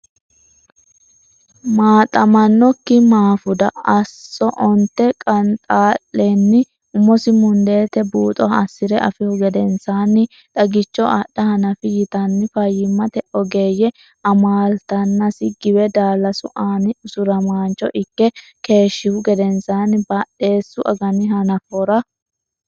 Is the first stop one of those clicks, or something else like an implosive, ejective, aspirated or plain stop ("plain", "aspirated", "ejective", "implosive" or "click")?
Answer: ejective